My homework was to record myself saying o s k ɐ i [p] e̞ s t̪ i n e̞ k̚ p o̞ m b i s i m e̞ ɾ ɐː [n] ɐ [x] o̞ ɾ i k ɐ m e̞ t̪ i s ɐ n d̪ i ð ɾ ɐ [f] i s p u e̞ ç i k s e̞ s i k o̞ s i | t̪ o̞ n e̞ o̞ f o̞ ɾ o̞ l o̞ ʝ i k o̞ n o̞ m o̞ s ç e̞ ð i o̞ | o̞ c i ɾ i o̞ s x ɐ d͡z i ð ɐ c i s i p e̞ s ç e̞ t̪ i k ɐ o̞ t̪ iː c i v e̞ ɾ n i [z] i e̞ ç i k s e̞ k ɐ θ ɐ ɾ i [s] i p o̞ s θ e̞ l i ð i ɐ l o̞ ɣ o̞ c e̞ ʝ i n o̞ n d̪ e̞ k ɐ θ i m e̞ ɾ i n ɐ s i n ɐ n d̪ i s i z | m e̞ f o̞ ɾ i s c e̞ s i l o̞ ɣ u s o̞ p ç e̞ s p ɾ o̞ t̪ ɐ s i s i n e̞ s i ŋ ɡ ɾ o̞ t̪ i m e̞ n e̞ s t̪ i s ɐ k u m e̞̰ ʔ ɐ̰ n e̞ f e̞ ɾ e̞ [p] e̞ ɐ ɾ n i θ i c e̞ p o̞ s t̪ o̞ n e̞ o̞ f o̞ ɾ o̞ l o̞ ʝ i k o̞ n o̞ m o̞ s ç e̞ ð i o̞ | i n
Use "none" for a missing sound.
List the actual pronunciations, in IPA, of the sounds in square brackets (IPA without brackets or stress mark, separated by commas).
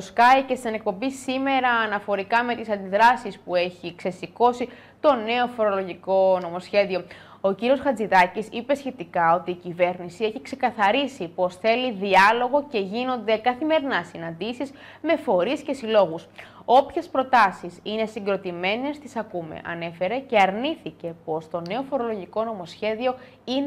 c, n, f, s, s, s, c